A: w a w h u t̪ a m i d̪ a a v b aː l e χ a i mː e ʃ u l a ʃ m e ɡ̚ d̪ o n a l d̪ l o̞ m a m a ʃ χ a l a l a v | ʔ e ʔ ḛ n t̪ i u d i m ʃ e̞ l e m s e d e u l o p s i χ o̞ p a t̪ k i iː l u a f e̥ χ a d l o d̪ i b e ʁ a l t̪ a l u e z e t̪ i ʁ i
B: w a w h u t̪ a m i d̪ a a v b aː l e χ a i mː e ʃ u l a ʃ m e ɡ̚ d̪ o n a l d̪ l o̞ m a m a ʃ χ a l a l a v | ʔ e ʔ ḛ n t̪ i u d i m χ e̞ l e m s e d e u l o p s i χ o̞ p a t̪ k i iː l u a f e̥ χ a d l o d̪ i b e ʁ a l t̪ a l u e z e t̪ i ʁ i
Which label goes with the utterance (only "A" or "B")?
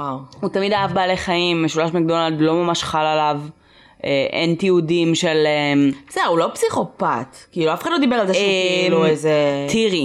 A